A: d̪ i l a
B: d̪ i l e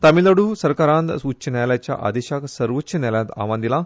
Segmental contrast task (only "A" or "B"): A